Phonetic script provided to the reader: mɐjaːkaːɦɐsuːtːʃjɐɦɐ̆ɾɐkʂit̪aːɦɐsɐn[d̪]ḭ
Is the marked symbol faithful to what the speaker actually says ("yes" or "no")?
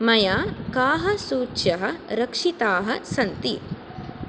no